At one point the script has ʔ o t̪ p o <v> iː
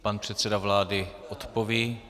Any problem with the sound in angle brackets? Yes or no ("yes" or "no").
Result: no